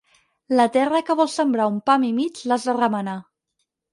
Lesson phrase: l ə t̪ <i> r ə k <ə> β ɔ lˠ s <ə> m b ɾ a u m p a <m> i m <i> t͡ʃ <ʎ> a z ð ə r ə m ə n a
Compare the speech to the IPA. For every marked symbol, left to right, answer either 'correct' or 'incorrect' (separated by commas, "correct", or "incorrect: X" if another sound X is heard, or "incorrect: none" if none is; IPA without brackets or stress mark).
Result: incorrect: ɛ, correct, correct, correct, correct, incorrect: l